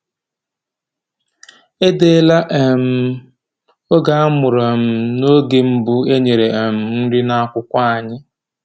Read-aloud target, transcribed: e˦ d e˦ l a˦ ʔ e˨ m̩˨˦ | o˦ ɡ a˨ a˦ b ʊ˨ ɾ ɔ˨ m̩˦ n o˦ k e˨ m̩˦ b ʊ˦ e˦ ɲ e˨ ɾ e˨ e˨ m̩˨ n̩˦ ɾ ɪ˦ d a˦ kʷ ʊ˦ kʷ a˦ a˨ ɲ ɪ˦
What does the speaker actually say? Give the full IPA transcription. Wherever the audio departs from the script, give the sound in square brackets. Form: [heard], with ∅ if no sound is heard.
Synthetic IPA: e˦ d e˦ l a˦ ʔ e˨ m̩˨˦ | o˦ ɡ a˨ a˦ [m] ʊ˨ ɾ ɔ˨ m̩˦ n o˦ [ɡ] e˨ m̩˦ b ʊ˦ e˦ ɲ e˨ ɾ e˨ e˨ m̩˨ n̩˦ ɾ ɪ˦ [n] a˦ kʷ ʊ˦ kʷ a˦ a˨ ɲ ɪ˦